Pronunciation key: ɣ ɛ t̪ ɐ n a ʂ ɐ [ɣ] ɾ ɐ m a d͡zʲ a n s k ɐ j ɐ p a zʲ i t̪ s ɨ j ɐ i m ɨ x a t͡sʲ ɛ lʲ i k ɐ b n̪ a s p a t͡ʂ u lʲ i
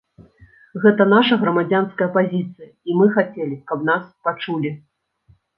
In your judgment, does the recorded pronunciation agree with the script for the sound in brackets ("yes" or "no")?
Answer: yes